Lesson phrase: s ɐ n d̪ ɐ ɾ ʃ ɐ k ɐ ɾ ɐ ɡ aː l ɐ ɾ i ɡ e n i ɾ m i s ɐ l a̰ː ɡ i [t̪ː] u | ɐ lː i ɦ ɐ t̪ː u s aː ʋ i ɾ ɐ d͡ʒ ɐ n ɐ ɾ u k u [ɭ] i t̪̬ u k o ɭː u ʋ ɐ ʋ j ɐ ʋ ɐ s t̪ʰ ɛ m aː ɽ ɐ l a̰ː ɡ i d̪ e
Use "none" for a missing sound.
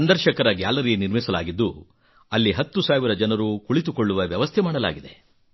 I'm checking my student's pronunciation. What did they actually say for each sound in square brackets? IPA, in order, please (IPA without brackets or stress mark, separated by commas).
d̪ː, ɭ